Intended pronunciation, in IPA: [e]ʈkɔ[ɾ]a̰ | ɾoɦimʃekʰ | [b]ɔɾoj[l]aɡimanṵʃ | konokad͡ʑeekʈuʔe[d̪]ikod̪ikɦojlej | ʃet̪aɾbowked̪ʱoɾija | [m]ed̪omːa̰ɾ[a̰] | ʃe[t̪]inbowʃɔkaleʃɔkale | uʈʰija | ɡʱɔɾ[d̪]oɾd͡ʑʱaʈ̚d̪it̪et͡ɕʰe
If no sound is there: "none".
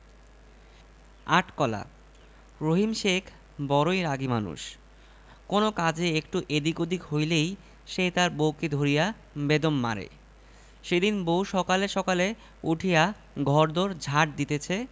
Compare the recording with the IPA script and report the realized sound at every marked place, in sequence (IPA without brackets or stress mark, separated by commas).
a, l, b, ɾ, d̪, b, ḛ, d̪, d̪